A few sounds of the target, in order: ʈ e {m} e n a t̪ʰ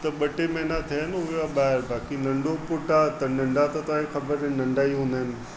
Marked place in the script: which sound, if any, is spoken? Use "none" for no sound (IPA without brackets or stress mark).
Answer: m